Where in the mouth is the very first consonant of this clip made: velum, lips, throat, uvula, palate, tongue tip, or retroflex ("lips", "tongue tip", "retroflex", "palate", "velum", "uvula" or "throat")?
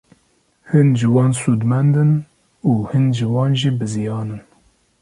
throat